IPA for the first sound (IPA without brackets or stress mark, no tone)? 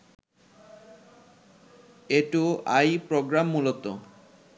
e